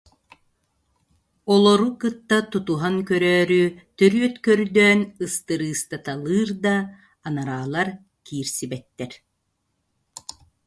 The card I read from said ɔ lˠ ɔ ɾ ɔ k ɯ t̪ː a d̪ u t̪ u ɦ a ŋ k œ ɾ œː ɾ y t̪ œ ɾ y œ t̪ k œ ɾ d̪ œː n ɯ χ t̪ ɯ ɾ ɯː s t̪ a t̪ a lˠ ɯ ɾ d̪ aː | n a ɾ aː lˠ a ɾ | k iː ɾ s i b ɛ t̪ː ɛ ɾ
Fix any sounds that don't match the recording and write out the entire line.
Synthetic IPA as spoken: ɔ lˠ ɔ ɾ u k ɯ t̪ː a t̪ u t̪ u ɦ a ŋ k œ ɾ œː ɾ y t̪ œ ɾ y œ t̪ k œ ɾ d̪ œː n ɯ s t̪ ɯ ɾ ɯː s t̪ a t̪ a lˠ ɯː ɾ d̪ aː | n a ɾ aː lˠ a ɾ | k iː ɾ s i b ɛ t̪ː ɛ ɾ